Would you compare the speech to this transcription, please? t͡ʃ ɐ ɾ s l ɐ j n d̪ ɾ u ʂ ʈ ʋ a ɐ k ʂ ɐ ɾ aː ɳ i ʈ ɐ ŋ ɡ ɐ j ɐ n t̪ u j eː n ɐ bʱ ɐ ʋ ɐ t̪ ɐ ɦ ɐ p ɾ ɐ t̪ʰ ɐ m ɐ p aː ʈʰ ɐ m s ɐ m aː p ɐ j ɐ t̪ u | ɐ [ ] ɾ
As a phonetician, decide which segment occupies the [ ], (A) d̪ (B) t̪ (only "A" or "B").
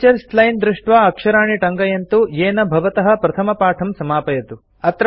B